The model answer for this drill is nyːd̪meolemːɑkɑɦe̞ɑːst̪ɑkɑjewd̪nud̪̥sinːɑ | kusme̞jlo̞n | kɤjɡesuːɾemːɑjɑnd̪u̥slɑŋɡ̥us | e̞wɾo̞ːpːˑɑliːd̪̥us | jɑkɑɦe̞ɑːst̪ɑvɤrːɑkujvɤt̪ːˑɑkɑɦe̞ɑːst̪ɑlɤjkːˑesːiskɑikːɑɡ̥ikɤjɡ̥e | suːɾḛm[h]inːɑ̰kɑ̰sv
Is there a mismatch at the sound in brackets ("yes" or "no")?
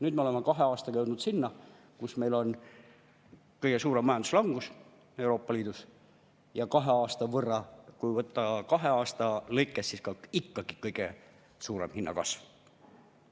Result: no